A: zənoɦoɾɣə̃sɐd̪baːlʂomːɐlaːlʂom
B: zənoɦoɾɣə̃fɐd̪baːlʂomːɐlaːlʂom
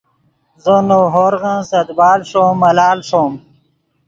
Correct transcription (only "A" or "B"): A